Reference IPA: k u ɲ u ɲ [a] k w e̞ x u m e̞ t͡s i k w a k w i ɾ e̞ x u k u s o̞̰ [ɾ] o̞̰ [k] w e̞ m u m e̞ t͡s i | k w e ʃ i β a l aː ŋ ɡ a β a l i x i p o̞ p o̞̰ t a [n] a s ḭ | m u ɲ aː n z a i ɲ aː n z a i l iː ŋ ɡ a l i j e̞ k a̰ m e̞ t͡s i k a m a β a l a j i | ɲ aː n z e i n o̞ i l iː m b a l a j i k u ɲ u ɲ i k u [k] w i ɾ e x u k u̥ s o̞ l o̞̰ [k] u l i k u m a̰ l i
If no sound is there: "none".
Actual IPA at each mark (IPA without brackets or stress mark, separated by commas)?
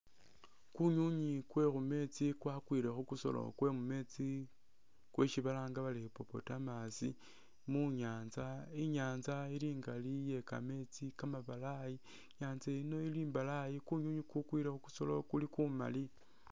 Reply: i, l, k, m, k, k